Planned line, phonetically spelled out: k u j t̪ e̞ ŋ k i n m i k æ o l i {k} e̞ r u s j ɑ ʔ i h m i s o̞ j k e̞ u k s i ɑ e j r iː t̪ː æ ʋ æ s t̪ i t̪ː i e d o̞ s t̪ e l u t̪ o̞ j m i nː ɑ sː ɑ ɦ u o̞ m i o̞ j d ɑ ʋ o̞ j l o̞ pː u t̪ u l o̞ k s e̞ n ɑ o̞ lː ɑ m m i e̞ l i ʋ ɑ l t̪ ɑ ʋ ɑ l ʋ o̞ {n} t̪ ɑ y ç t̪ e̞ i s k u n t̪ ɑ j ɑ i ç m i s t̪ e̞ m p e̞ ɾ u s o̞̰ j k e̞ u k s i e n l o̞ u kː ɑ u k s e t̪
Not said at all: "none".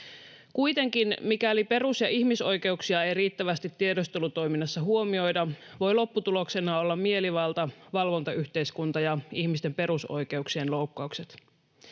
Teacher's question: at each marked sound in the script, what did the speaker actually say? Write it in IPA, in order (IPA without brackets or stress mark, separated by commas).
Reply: p, n